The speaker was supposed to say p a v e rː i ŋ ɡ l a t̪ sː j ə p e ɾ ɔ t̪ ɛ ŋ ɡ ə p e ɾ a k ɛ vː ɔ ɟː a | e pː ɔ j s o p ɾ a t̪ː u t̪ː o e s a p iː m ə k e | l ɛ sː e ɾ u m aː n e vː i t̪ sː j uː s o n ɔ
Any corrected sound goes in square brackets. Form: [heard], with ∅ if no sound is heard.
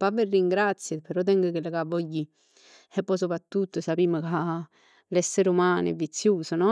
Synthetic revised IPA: p a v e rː i ŋ ɡ [ɾ] a t̪ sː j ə p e ɾ ɔ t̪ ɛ ŋ ɡ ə [k] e [l] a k [a] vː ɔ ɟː [i] | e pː ɔ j s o p ɾ a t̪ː u t̪ː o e s a p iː m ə k [a] | l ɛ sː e ɾ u m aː n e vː i t̪ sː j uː s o n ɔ